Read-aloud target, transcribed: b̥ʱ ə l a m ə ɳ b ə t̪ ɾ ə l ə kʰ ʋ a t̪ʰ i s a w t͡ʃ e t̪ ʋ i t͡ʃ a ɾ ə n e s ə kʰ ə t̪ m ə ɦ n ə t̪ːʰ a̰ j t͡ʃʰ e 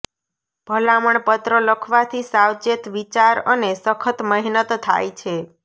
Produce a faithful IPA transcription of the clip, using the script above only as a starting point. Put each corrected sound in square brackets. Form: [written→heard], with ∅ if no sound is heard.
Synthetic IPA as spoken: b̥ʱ ə l a m ə ɳ [b→p] ə t̪ ɾ ə l ə kʰ ʋ a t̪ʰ i s a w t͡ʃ e t̪ ʋ i t͡ʃ a ɾ ə n e s ə kʰ ə t̪ m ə ɦ n ə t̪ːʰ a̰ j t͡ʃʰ e